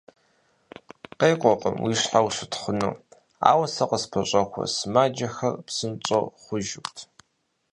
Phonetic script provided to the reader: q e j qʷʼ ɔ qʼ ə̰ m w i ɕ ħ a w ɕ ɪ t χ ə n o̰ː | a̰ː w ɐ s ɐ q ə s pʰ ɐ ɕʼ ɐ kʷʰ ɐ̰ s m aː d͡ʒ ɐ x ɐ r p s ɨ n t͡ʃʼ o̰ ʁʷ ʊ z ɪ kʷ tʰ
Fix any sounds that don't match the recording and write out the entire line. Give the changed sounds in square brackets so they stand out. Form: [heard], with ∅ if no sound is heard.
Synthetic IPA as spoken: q e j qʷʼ ɔ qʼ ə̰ m w i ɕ ħ a w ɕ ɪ t χ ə n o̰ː | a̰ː w ɐ s ɐ q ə s pʰ ɐ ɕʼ ɐ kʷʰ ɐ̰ s m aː d͡ʒ ɐ x ɐ r p s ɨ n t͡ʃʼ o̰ [χʷ] ʊ [ʒ] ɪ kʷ tʰ